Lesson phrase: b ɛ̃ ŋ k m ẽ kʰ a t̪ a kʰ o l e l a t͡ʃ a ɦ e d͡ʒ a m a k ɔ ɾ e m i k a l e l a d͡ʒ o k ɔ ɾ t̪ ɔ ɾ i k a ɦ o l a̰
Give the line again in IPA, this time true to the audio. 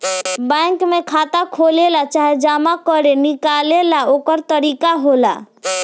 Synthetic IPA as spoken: b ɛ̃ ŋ k m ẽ kʰ a t̪ a kʰ o l e l a t͡ʃ a ɦ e d͡ʒ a m a k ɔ ɾ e n i k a l e l a o k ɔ ɾ t̪ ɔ ɾ i k a ɦ o l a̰